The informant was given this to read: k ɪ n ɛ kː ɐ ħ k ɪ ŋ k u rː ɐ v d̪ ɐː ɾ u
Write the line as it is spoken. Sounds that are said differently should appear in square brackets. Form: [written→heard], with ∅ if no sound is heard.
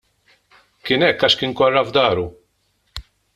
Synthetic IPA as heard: k ɪ n ɛ kː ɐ [ħ→ʃ] k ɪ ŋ k [u→ɔ] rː ɐ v d̪ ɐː ɾ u